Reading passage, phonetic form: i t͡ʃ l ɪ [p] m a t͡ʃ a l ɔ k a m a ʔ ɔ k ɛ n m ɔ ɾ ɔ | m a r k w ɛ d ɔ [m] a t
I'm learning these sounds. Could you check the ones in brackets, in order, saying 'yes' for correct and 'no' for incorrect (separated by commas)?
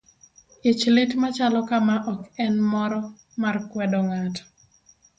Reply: no, no